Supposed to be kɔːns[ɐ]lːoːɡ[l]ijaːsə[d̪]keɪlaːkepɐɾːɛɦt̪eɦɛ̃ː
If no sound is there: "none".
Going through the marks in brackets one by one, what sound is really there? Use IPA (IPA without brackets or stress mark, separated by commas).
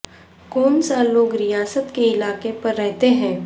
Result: a, ɾ, t̪